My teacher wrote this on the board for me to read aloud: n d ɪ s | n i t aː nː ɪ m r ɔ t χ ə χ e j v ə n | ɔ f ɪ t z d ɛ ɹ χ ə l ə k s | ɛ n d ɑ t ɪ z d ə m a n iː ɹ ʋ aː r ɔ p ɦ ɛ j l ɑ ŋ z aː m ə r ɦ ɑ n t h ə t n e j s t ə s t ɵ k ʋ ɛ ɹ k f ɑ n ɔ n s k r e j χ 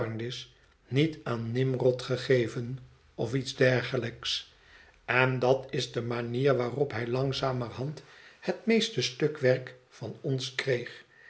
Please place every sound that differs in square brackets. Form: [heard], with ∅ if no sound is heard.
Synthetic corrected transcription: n d ɪ s | n i t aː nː ɪ m r ɔ t χ ə χ e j v ə n | ɔ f [i] t z d ɛ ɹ χ ə l ə k s | ɛ n d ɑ t ɪ z d ə m a n iː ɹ ʋ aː r ɔ p ɦ ɛ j l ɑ ŋ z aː m ə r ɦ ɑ n t h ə t [m] e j s t ə s t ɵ k ʋ ɛ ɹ k f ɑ n ɔ n s k r e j χ